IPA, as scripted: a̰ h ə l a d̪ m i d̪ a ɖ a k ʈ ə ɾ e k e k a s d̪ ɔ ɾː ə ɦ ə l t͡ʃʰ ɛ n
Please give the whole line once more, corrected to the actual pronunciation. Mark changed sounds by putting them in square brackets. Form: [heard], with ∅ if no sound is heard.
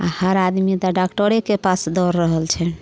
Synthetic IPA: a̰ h ə [ɾ] a d̪ m i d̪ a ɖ a k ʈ ə ɾ e k e [p] a s d̪ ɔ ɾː ə ɦ ə l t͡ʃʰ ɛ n